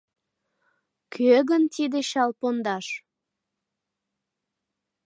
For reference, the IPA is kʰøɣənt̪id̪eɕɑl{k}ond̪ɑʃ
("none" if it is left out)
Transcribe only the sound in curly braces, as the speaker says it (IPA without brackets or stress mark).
p